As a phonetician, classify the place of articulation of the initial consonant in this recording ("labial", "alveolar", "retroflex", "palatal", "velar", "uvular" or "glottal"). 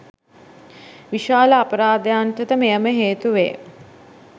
labial